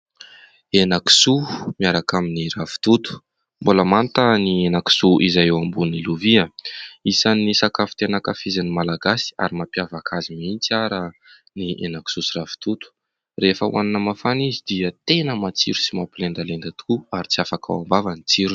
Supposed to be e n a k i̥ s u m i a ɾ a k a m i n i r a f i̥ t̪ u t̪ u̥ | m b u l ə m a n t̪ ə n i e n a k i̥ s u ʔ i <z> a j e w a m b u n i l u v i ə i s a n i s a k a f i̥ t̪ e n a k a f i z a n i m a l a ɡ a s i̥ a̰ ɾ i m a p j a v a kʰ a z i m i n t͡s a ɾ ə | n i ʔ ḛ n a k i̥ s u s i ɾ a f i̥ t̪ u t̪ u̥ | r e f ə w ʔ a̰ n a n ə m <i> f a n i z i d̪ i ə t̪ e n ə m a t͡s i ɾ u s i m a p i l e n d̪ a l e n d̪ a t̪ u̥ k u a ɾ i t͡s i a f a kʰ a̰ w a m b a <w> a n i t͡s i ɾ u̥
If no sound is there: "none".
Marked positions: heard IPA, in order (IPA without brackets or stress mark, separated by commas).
z, a, v